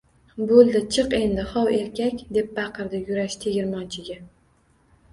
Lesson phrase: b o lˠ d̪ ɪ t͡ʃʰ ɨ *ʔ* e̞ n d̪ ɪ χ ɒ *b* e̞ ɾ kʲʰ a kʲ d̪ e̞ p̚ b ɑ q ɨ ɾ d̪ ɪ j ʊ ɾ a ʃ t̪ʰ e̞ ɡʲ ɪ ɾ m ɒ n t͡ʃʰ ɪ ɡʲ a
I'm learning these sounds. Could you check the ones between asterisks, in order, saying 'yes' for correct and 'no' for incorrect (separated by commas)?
no, no